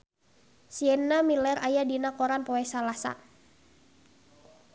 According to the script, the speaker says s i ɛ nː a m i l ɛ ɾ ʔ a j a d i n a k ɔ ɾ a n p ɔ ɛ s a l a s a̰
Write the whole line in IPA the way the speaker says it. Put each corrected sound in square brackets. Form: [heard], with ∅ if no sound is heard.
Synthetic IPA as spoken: s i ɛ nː a m i l ɛ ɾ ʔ a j a d i n a k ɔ ɾ a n p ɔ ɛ s a l a s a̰